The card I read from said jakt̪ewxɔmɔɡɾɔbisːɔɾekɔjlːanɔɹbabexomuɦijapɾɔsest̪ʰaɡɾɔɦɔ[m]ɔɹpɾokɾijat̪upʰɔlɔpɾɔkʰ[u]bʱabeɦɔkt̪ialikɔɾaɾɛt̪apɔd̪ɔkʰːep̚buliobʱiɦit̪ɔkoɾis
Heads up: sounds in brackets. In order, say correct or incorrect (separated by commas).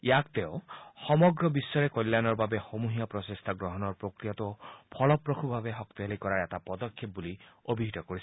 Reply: incorrect, correct